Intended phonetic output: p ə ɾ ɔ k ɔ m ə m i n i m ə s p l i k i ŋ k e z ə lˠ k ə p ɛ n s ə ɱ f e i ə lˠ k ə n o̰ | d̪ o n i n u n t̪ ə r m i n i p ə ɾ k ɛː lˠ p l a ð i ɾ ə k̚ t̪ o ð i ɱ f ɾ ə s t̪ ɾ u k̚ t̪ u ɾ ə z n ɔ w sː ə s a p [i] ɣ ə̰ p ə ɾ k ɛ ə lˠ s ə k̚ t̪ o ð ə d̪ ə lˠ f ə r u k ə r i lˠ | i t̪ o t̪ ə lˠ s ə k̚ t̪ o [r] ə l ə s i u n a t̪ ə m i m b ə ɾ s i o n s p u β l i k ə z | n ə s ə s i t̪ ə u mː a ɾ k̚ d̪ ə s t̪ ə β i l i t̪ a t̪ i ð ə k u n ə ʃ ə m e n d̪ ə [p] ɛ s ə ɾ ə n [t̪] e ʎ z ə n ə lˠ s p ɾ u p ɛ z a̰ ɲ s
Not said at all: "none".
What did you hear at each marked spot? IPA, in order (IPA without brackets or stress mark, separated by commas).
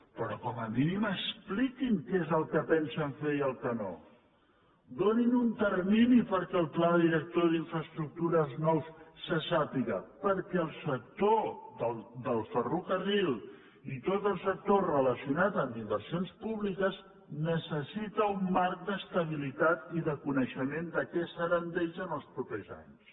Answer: i, r, k, d̪